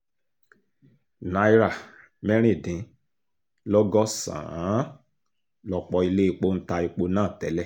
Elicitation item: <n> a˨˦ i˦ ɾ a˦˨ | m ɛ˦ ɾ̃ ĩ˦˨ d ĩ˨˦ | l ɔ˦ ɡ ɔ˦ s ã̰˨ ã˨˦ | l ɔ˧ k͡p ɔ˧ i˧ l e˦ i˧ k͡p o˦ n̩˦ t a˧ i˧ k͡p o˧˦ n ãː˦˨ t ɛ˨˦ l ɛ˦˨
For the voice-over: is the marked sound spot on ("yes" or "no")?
yes